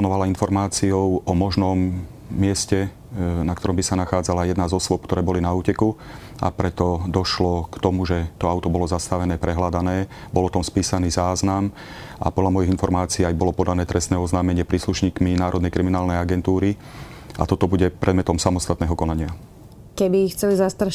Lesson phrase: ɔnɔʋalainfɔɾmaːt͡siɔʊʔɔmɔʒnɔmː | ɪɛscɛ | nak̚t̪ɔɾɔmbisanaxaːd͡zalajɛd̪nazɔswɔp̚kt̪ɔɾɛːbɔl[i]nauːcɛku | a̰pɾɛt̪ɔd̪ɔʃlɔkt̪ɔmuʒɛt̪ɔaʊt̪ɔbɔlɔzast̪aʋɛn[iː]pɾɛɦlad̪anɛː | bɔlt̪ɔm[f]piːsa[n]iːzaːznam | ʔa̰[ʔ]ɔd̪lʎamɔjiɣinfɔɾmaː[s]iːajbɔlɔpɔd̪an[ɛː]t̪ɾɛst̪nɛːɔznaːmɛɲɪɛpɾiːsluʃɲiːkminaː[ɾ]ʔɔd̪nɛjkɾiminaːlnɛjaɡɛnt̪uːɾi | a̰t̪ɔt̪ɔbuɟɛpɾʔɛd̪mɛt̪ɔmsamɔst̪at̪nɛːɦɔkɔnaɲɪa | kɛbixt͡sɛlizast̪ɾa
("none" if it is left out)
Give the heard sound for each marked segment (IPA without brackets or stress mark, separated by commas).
i, ɛː, s, n, p, t͡s, ɛː, ɾ